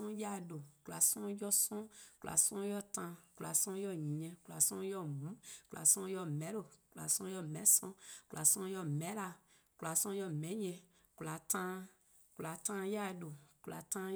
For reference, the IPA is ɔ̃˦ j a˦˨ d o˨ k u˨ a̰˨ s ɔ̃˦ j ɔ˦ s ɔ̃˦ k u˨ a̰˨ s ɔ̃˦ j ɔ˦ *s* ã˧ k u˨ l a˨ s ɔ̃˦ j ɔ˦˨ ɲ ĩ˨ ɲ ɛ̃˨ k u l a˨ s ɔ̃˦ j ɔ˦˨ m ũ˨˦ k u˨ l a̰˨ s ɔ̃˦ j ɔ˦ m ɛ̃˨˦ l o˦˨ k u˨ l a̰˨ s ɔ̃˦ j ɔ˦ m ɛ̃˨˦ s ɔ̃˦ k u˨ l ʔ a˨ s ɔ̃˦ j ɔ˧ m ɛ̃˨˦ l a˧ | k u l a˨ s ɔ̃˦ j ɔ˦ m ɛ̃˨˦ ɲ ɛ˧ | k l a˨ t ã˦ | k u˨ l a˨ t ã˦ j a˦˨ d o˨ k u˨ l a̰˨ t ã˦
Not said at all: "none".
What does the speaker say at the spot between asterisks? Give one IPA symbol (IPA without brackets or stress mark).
t